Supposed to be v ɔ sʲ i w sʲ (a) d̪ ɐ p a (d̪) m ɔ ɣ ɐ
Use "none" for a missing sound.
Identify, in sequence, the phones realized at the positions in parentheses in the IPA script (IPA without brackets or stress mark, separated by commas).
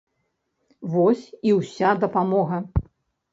a, none